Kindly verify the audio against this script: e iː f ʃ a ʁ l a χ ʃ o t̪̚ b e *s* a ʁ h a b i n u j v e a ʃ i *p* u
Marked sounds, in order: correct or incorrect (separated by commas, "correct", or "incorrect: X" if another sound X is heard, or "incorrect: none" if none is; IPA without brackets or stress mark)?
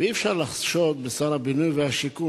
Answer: correct, incorrect: k